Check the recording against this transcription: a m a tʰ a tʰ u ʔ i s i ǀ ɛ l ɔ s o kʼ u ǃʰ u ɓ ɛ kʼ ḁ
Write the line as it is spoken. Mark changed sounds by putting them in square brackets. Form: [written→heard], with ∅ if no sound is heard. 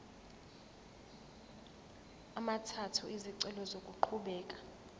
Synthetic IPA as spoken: a m a tʰ a tʰ u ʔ i [s→z] i ǀ ɛ l ɔ [s→z] o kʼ u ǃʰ u ɓ [ɛ→ɛː] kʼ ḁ